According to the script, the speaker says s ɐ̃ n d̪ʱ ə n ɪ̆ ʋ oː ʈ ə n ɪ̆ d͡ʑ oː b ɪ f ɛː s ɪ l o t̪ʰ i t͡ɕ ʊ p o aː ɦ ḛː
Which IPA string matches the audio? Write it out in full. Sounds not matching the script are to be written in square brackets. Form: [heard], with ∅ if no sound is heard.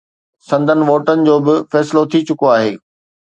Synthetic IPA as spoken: s ɐ̃ n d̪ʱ ə n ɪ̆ ʋ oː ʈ ə n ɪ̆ d͡ʑ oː b ɪ f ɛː s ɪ l o t̪ʰ i t͡ɕ ʊ [k] o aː ɦ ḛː